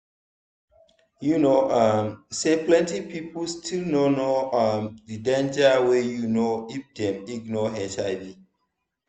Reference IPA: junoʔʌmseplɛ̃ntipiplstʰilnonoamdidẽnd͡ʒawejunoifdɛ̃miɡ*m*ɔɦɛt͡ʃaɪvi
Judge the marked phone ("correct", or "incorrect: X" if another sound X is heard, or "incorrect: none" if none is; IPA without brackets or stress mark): incorrect: n